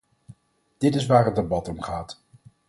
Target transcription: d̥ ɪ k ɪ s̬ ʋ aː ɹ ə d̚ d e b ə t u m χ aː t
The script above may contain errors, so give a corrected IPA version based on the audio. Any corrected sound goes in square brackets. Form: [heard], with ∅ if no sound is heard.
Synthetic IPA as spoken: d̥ ɪ [t] ɪ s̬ ʋ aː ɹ ə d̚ d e b [ɑ] t [ɔ] m χ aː t

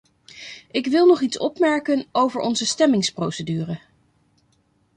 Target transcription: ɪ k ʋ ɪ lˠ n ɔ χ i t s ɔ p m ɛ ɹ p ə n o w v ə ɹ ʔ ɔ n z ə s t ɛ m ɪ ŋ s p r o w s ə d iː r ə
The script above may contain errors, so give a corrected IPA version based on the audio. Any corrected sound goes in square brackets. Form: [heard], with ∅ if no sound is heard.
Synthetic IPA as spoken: ɪ k ʋ ɪ lˠ n ɔ χ i t s ɔ p m ɛ ɹ [k] ə n o w v ə ɹ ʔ ɔ n z ə s t ɛ m ɪ ŋ s p r o w s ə d [yː] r ə

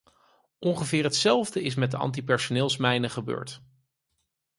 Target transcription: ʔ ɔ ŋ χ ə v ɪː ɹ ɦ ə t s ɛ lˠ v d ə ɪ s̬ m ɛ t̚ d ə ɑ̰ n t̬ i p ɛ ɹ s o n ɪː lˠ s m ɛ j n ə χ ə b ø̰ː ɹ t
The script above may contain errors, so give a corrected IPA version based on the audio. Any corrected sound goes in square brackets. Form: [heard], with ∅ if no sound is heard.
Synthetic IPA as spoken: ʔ ɔ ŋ χ ə v ɪː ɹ ɦ ə t s ɛ lˠ v d ə ɪ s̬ m ɛ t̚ d ə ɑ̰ n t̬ i p ɛ ɹ s o n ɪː lˠ s m ɛ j n ə χ ə b ø̰ː ɹ t

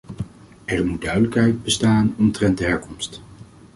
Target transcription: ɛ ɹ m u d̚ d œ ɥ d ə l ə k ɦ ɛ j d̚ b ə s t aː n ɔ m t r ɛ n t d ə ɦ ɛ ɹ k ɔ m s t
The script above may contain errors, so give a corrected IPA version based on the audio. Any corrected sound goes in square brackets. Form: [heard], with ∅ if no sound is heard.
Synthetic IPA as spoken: ɛ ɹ m u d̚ d œ ɥ d ə l ə k ɦ ɛ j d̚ b ə s t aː n ɔ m t r ɛ n t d ə ɦ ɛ ɹ k ɔ m s t

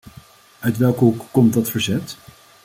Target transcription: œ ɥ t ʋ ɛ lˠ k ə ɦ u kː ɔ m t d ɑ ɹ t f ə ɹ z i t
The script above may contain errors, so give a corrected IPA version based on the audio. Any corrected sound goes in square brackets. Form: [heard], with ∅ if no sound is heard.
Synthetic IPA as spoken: œ ɥ t ʋ ɛ lˠ k ə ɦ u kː ɔ m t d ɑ [∅] t f ə ɹ z [ɛ] t

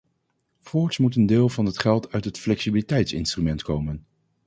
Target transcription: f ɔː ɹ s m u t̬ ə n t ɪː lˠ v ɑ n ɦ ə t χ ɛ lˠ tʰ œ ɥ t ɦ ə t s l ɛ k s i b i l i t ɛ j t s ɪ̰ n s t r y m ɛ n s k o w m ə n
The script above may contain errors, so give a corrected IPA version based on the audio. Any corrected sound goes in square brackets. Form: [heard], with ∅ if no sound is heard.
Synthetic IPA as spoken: f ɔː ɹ s m u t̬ ə n [d] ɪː lˠ v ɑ n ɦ ə t χ ɛ lˠ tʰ œ ɥ t ɦ ə t [f] l ɛ k s i b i l i t ɛ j t s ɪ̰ n s t r y m ɛ n [t] k o w m ə n

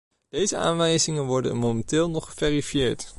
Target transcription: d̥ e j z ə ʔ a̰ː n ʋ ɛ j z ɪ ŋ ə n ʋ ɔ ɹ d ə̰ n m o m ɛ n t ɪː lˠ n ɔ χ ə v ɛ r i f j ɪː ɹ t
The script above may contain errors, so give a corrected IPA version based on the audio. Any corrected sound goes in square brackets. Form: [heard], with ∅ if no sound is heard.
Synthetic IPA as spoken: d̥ e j z ə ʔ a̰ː n ʋ ɛ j z ɪ ŋ ə n ʋ ɔ ɹ d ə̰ n m o m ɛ n t ɪː lˠ n ɔ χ ə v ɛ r i f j ɪː ɹ t

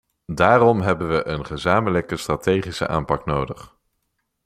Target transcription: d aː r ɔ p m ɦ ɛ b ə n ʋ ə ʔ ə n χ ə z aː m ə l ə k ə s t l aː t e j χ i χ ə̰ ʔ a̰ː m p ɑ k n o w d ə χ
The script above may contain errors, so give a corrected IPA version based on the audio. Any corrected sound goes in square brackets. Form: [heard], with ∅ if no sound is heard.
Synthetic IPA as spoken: d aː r ɔ [∅] m ɦ ɛ b ə n ʋ ə ʔ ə n χ ə z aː m ə l ə k ə s t [r] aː t e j χ i [s] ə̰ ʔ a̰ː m p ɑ k n o w d ə χ

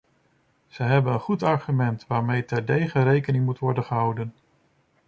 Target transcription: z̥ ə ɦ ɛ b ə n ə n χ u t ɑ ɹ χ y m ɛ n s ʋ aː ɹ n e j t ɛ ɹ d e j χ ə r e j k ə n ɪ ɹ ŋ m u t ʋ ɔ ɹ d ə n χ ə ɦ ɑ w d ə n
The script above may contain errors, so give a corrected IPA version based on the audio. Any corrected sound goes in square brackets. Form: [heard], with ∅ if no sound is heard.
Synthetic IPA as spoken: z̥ ə ɦ ɛ b ə n ə n χ u t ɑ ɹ χ y m ɛ n [t] ʋ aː ɹ [m] e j t ɛ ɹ d e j χ ə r e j k ə n ɪ [∅] ŋ m u t ʋ ɔ ɹ d ə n χ ə ɦ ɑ w d ə n

